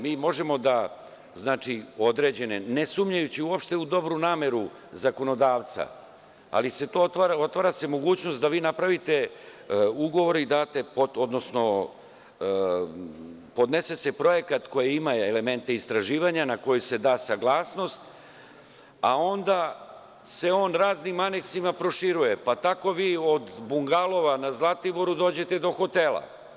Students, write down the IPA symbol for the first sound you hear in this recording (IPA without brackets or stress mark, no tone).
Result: m